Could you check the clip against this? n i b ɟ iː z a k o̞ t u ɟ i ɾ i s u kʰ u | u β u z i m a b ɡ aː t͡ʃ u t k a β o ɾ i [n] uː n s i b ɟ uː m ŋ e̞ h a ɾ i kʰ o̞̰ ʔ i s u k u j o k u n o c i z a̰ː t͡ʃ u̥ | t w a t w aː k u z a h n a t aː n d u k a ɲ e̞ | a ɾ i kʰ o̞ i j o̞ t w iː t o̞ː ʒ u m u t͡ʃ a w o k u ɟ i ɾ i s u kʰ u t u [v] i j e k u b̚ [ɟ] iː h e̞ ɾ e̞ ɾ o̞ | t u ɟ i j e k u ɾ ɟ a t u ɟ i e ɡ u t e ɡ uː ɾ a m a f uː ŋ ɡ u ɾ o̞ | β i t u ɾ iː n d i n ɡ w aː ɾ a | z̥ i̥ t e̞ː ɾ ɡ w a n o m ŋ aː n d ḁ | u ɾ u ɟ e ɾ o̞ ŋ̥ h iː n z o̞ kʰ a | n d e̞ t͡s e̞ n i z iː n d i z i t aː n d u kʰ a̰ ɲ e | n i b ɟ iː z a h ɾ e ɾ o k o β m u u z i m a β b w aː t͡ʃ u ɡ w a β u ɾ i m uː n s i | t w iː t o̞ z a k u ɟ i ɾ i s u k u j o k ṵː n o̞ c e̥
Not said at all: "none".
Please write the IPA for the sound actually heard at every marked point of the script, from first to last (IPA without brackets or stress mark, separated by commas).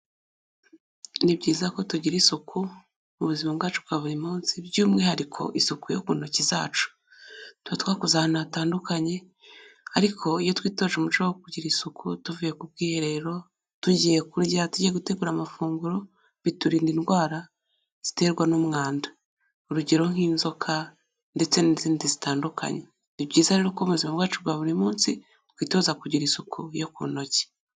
m, v, ɡ